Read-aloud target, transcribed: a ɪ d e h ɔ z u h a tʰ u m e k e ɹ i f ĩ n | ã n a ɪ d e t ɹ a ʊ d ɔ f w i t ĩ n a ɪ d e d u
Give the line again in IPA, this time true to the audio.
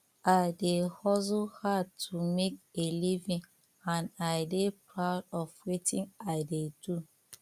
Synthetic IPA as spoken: a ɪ d e h ɔ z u h a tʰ u m e k e l i v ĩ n | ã n a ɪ d e p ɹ a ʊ d ɔ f w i t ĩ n a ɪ d e d u